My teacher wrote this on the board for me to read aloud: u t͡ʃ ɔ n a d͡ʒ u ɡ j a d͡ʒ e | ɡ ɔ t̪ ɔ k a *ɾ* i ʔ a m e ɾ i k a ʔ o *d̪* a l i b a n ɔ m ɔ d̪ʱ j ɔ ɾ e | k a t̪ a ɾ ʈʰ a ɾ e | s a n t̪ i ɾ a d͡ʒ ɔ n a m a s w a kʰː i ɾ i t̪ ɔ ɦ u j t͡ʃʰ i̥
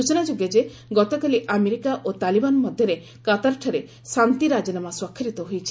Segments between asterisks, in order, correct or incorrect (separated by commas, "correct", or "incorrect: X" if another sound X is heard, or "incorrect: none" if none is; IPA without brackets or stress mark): incorrect: l, incorrect: t̪